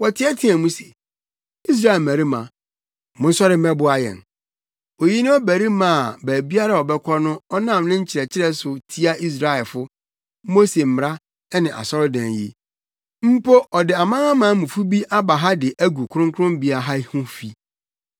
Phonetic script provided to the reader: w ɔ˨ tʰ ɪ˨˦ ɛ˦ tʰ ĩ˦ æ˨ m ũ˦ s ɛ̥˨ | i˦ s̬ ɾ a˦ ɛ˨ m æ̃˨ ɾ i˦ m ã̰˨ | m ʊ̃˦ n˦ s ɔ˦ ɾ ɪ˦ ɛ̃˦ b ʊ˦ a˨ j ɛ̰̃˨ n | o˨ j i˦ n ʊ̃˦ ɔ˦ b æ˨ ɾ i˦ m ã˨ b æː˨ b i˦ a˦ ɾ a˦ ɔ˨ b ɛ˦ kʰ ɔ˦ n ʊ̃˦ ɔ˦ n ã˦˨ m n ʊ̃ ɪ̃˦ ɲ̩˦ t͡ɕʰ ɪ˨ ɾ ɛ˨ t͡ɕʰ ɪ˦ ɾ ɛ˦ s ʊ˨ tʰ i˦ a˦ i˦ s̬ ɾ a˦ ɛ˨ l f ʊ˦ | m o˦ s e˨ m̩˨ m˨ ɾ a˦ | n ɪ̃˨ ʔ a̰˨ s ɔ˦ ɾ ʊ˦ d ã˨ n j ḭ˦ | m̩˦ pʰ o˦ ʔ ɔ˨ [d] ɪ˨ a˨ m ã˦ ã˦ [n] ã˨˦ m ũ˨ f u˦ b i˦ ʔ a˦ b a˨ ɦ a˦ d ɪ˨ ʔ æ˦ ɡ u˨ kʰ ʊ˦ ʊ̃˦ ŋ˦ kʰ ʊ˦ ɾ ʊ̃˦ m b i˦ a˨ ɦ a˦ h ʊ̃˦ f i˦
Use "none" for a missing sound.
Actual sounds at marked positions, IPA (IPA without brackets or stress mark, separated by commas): d, m